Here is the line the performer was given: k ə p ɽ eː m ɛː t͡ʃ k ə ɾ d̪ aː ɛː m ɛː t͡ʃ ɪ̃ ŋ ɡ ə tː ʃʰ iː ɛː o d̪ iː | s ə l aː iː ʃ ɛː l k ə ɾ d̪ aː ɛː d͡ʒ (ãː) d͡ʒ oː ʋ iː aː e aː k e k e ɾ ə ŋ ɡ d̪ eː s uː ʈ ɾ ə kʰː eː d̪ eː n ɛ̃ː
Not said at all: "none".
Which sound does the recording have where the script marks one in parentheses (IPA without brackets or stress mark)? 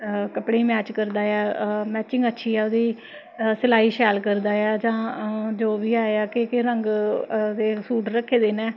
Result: ãː